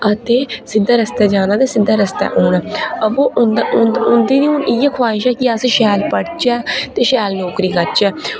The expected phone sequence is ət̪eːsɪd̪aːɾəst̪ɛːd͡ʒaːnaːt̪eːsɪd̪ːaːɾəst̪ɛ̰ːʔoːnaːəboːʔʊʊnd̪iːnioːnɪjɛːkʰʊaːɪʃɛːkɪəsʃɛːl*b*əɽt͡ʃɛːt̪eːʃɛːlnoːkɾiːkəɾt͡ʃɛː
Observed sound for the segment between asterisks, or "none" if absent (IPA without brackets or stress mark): p